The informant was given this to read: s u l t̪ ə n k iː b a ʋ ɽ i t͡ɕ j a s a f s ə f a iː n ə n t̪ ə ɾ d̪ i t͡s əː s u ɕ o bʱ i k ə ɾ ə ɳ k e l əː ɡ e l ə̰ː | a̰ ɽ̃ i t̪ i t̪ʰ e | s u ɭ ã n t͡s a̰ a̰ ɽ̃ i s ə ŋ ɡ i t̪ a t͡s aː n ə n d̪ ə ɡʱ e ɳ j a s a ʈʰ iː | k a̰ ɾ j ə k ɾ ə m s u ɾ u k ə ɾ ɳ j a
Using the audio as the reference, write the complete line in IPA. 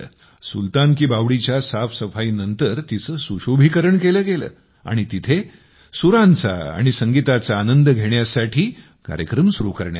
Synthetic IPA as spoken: s u l t̪ a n k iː b a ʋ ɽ i t͡ɕ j a s a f s ə f a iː n ə n t̪ ə ɾ t̪ i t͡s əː s u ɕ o bʱ i k ə ɾ ə ɳ k e l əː ɡ e l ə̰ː | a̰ ɽ̃ i t̪ i t̪ʰ e | s u ɾ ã n t͡s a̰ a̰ ɽ̃ i s ə ŋ ɡ i t̪ a t͡s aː n ə n d̪ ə ɡʱ e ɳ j a s a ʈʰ iː | k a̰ ɾ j ə k ɾ ə m s u ɾ u k ə ɾ ɳ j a